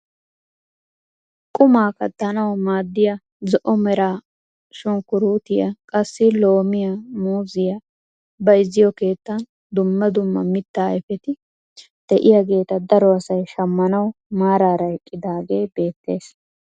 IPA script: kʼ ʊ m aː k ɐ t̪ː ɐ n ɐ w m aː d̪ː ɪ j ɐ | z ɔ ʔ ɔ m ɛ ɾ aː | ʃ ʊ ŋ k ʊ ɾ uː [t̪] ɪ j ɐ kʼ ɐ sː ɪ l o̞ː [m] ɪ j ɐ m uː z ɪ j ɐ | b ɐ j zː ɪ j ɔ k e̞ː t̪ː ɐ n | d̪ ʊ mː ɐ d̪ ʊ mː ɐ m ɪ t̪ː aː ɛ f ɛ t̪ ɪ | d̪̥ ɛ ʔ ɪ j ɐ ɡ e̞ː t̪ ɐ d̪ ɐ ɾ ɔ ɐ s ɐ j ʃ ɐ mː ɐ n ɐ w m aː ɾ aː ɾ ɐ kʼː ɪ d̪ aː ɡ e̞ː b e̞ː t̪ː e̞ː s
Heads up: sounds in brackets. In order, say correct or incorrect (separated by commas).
correct, correct